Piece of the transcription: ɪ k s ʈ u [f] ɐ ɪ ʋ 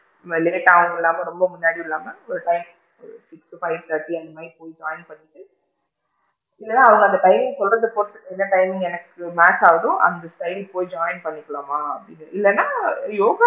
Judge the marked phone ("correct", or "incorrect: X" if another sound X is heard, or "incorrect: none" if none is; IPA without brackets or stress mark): correct